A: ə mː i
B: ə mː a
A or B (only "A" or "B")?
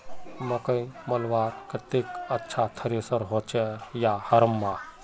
B